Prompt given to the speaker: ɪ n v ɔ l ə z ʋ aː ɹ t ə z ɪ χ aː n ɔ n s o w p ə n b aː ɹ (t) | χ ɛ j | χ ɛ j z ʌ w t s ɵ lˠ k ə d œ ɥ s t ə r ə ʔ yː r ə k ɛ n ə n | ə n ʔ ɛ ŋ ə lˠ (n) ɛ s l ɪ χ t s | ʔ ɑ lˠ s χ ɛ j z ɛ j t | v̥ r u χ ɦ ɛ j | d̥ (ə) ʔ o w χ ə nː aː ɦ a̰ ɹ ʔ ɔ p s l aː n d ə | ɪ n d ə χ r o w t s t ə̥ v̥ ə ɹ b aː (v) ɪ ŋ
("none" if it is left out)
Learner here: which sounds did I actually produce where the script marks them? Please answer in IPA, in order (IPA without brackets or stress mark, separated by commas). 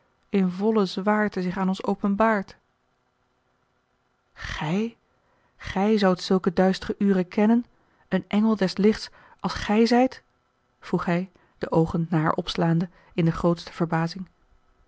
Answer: t, d, ə, z